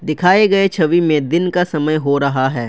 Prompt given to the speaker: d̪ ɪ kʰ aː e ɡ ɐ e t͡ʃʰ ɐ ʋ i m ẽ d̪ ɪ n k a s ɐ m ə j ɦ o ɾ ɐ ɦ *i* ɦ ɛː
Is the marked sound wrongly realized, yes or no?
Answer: yes